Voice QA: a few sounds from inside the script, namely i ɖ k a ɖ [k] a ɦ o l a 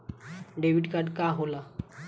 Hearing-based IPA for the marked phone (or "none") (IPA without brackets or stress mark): k